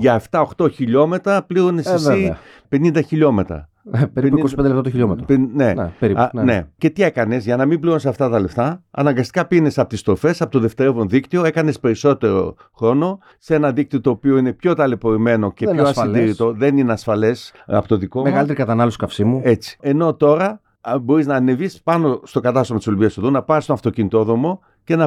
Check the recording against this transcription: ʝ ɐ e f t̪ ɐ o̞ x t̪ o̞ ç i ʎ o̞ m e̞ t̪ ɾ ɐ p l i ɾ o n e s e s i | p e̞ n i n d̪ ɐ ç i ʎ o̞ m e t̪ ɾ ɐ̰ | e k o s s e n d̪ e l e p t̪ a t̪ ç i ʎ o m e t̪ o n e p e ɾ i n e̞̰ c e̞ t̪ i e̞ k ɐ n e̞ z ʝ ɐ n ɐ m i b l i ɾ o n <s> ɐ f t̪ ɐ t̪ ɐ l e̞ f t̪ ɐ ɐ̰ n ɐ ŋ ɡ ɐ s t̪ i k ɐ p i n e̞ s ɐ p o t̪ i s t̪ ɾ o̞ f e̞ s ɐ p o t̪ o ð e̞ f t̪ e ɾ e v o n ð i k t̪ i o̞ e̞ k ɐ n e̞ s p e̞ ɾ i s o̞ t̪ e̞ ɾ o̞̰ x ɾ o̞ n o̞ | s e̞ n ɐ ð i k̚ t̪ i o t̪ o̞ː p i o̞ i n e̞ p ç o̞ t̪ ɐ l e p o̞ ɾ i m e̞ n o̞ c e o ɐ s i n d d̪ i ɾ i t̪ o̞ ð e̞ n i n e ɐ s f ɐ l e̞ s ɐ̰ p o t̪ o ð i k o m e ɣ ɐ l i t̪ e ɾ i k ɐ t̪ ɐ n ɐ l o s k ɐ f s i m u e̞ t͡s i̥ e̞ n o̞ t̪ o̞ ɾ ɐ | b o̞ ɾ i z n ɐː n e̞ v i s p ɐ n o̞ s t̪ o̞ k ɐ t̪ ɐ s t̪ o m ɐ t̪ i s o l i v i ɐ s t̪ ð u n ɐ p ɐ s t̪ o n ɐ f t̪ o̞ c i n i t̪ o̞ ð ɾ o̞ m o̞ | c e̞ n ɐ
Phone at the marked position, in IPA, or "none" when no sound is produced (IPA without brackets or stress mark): s